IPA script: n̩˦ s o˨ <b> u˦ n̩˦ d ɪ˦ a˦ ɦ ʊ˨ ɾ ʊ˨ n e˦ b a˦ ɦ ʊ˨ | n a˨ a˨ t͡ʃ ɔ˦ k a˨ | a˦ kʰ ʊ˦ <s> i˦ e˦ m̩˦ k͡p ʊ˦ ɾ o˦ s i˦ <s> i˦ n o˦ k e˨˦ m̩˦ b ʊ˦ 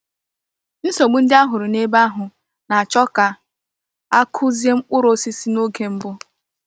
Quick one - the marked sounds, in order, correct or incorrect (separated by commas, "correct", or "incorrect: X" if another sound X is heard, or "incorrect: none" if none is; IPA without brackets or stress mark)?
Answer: incorrect: ɡ͡b, incorrect: z, correct